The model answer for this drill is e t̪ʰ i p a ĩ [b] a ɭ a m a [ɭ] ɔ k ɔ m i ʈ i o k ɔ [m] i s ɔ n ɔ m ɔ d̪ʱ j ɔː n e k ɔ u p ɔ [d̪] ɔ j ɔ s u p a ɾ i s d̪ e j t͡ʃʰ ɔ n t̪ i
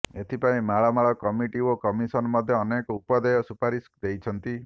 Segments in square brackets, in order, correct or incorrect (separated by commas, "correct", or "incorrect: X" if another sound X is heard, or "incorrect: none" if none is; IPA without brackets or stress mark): incorrect: m, correct, correct, correct